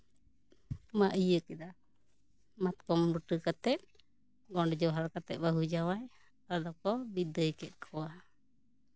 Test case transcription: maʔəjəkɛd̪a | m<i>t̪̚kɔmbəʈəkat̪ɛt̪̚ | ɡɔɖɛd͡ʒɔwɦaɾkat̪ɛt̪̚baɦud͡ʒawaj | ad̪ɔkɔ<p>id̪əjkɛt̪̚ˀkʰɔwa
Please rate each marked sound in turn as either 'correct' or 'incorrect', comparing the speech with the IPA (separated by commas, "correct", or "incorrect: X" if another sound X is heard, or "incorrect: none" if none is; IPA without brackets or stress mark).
incorrect: a, incorrect: b